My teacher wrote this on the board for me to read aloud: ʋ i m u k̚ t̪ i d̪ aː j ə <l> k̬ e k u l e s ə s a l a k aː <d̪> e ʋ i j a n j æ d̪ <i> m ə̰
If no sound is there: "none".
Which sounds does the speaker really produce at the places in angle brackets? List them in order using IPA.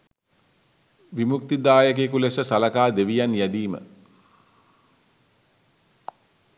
none, d̪, iː

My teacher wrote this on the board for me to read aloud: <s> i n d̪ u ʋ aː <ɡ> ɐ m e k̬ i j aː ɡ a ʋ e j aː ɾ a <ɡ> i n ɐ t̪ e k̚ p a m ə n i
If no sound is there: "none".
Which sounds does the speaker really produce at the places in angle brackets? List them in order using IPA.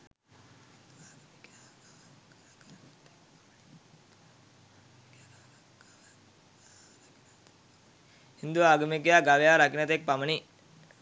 h, ɡ, k

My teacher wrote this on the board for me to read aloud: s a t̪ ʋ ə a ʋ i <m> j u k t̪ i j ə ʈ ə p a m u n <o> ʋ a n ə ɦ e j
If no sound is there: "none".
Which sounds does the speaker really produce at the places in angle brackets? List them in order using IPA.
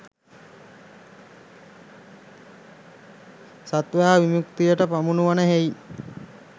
m, u

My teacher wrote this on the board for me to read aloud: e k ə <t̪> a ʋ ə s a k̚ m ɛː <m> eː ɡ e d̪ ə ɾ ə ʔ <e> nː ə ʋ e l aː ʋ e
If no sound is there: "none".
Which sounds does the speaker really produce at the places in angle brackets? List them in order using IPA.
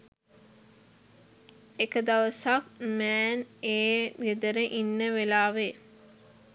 d̪, n, i

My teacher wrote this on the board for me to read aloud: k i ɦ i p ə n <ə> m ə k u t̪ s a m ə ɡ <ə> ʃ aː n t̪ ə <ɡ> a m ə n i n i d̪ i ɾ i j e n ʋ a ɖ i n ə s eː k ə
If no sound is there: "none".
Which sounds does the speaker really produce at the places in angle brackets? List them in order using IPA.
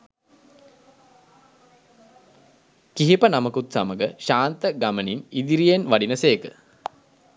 a, ə, ɡ

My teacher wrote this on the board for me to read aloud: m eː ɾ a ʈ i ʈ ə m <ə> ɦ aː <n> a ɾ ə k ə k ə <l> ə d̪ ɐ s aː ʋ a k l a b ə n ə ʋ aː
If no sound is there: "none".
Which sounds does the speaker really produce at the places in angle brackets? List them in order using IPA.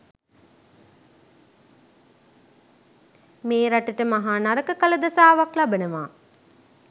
a, n, l

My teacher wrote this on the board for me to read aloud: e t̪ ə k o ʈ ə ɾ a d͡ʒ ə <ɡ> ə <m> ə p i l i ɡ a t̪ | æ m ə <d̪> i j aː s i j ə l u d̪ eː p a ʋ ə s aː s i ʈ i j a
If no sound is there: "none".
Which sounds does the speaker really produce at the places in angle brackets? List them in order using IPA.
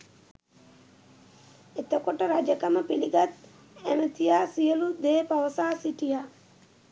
k, m, t̪

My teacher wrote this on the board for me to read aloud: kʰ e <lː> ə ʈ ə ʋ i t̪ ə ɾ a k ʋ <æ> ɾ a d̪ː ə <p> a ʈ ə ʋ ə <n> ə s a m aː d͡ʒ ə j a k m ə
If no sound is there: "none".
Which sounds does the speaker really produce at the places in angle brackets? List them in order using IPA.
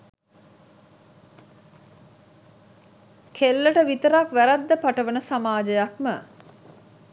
lː, æ, p, n

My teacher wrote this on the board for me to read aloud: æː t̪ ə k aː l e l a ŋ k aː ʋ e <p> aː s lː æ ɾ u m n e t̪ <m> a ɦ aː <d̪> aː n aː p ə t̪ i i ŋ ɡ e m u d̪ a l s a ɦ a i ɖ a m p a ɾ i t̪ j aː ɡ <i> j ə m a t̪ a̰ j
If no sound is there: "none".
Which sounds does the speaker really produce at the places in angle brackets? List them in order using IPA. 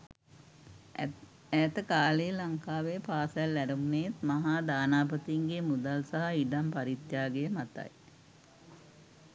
p, m, d̪, e

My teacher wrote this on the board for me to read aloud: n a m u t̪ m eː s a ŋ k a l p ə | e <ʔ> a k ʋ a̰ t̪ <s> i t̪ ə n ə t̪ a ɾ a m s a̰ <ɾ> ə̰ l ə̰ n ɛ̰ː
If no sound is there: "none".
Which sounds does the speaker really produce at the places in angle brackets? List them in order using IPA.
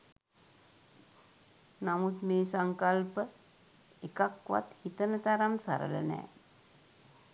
k, h, ɾ

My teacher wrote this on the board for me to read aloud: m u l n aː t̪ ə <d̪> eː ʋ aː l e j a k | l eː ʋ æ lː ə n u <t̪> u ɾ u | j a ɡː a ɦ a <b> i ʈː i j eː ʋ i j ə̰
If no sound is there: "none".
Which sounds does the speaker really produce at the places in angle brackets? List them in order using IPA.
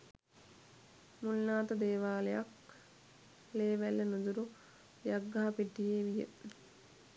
d̪, d̪, p

